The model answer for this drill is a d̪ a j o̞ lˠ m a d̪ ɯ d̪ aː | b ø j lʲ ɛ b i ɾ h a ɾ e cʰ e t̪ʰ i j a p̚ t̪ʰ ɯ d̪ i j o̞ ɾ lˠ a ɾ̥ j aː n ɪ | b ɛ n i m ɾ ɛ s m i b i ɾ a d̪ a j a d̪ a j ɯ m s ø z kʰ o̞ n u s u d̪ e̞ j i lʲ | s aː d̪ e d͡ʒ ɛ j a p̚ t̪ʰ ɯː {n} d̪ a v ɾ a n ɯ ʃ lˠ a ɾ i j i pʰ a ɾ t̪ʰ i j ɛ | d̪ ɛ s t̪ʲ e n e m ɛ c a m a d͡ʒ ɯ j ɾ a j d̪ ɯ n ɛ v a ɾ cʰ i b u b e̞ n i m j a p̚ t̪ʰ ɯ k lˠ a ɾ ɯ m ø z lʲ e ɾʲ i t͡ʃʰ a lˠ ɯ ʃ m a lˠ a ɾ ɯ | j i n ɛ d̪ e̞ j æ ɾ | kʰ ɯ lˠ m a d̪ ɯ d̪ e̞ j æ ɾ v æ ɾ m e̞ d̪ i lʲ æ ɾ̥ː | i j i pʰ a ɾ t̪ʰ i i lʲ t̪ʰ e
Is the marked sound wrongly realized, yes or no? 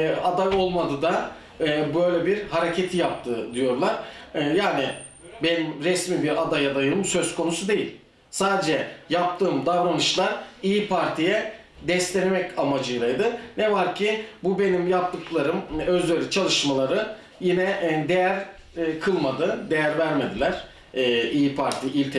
yes